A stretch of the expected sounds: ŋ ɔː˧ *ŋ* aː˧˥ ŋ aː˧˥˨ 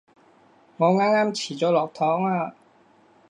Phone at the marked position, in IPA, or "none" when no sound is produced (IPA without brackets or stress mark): ŋ